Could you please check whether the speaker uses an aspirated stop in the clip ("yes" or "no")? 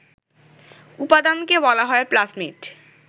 no